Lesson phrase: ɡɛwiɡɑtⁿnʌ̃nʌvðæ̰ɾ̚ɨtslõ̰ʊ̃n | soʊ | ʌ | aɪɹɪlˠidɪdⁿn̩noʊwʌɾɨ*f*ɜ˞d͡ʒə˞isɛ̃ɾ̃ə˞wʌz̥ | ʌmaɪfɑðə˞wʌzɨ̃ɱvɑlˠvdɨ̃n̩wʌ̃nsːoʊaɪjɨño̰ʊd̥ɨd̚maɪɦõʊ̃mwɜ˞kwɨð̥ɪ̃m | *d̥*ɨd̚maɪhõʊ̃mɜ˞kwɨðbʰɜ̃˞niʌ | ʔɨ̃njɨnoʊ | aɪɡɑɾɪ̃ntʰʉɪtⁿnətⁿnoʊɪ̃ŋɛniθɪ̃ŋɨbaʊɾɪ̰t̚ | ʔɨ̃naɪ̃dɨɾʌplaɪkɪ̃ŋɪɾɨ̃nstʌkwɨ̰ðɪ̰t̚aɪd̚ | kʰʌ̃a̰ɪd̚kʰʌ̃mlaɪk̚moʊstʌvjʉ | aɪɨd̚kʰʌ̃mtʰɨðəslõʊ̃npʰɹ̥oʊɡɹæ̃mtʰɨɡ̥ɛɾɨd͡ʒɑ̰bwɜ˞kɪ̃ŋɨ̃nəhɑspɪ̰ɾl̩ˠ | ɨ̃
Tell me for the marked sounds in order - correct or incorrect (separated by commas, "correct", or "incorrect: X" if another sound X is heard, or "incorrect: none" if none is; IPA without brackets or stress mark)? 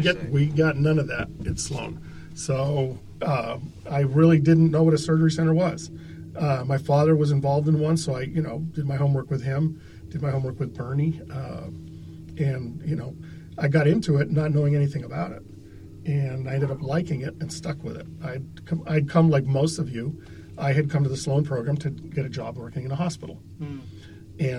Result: incorrect: s, correct